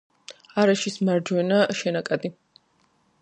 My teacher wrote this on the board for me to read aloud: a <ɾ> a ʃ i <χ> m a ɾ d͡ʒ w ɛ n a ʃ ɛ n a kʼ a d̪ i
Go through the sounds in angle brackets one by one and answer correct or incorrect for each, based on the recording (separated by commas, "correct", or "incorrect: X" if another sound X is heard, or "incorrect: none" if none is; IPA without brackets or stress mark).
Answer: correct, incorrect: s